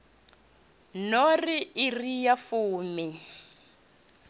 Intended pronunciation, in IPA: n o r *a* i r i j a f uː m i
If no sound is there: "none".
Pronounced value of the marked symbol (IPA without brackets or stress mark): i